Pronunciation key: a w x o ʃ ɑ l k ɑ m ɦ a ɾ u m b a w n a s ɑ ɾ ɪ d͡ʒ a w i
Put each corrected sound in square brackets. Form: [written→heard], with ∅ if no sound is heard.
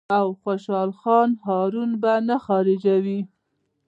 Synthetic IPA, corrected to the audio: a w x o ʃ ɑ l [k→x] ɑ [m→n] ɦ [a→ɑ] ɾ u [m→n] b a [w→∅] n a [s→x] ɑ ɾ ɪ d͡ʒ a w i